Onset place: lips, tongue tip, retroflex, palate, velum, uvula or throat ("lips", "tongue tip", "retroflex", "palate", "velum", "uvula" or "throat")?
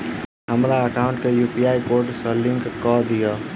throat